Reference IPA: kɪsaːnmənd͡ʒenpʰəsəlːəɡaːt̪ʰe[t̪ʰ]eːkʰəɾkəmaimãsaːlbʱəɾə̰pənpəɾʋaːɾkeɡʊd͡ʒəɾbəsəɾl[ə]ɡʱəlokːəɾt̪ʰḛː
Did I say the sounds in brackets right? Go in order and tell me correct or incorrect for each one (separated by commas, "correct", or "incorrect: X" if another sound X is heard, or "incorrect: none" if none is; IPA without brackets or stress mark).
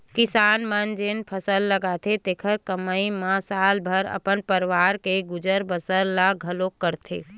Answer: incorrect: t̪, incorrect: a